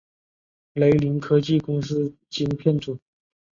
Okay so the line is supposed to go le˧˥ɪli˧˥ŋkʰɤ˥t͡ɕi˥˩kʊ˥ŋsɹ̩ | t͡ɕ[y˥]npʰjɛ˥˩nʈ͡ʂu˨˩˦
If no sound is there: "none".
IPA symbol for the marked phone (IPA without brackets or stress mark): i˥